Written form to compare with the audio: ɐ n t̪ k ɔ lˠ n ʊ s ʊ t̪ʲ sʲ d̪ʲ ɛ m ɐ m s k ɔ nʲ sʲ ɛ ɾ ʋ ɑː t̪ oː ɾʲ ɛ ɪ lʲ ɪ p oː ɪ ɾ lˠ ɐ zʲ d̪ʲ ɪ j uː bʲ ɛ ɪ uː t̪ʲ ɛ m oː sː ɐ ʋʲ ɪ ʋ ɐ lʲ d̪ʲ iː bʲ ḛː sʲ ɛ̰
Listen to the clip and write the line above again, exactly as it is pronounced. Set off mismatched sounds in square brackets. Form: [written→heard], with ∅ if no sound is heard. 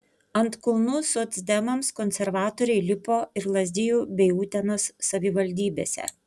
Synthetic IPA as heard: ɐ n t̪ k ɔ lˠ n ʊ s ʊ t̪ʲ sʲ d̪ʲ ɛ m ɐ m s k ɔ nʲ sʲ ɛ ɾ ʋ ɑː t̪ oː ɾʲ ɛ ɪ lʲ ɪ p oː ɪ ɾ lˠ ɐ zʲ d̪ʲ ɪ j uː bʲ ɛ ɪ uː t̪ʲ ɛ [m→n] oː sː ɐ ʋʲ ɪ ʋ ɐ lʲ d̪ʲ iː bʲ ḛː sʲ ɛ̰